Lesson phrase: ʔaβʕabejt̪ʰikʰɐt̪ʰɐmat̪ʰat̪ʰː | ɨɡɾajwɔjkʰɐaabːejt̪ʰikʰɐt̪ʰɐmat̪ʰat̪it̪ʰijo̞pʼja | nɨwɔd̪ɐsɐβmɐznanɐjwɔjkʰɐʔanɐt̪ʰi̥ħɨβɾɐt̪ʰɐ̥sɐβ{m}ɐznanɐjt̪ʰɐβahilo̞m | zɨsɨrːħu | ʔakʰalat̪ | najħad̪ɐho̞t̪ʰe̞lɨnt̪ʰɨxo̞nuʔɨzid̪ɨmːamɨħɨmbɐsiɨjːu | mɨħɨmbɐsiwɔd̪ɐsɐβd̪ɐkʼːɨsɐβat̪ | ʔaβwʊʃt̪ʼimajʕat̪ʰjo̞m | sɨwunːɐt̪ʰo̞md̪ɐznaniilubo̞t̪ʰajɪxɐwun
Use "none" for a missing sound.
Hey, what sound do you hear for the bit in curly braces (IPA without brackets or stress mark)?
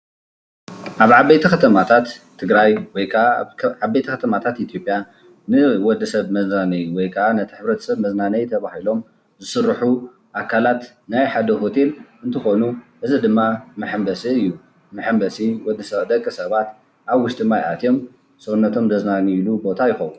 m